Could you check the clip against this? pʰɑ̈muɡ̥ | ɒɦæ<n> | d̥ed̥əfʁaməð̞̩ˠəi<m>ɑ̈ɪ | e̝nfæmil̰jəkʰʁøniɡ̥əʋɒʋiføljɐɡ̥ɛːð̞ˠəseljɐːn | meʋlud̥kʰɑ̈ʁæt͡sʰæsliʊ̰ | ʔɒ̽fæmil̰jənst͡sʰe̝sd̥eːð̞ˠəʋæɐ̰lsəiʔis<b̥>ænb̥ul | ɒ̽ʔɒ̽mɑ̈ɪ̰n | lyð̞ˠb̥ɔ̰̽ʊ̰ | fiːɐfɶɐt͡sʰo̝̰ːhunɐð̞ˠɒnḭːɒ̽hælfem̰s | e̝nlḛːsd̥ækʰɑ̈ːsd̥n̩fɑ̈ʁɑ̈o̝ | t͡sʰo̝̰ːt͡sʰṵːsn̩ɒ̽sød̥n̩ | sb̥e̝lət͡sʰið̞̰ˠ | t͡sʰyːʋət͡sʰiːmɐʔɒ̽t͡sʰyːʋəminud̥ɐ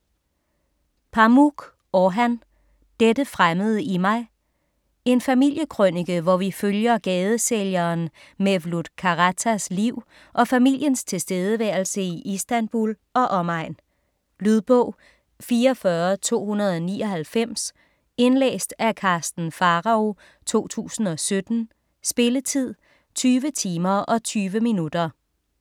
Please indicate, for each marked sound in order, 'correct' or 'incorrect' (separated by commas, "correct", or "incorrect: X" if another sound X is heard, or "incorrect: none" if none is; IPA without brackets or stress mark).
correct, correct, incorrect: d̥